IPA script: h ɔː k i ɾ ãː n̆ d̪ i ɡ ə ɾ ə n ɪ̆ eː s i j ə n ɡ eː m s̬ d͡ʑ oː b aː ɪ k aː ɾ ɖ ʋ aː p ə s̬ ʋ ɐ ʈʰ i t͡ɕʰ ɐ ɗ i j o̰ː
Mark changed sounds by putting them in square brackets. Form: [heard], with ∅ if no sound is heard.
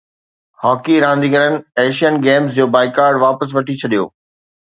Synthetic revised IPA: h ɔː k i ɾ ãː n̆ d̪ i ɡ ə ɾ ə n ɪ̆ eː [ʃ] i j ə n ɡ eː m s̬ d͡ʑ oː b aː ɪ k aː ɾ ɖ ʋ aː p ə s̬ ʋ ɐ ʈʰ i t͡ɕʰ ɐ ɗ i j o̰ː